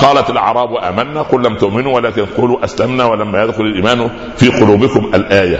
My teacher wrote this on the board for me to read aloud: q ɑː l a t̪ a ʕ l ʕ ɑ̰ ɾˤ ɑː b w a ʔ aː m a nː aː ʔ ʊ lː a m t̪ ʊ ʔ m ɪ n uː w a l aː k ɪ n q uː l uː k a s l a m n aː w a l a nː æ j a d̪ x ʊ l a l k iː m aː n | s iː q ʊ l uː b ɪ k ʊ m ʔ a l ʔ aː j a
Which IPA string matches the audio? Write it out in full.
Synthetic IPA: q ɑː l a t̪ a l ʕ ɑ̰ ɾˤ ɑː b w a ʔ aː m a nː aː q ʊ lː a m t̪ ʊ ʔ m ɪ n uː w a l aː k ɪ n q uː l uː ʔ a s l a m n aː w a l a mː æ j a d̪ x ʊ l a l ʔ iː m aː n | f iː q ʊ l uː b ɪ k ʊ m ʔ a l ʔ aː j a